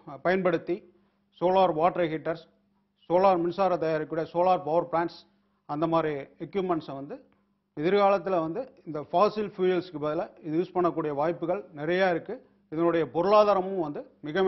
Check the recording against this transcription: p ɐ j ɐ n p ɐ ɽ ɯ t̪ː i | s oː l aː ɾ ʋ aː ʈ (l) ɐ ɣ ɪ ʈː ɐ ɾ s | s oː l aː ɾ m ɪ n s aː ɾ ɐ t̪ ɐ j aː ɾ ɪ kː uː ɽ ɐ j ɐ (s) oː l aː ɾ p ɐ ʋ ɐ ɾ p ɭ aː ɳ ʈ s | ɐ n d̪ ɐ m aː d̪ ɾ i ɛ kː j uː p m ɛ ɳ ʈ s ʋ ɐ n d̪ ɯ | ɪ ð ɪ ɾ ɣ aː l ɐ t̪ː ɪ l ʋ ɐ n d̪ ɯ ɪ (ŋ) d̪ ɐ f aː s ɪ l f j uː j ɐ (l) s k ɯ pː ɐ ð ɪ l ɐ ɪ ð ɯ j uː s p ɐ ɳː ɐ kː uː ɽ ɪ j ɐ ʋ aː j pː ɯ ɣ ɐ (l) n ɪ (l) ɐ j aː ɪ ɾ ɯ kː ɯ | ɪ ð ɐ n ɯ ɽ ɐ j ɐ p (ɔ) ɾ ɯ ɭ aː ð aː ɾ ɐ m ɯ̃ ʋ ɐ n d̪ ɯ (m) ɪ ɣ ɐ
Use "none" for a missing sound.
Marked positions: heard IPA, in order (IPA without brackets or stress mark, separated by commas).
ɾ, s, n, l, ɭ, ɾ, ɔ, m